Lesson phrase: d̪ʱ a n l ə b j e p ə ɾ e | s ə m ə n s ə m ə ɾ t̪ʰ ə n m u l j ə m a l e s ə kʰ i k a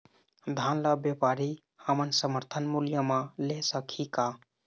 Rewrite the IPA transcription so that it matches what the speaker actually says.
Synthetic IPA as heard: d̪ʱ a n l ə b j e p a ɾ i | h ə m ə n s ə m ə ɾ t̪ʰ ə n m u l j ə m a l e s ə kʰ i k a